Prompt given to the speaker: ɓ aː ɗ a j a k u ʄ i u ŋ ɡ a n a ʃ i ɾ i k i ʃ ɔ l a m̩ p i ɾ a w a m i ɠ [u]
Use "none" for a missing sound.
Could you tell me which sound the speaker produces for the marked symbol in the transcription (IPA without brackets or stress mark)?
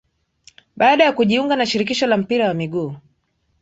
uː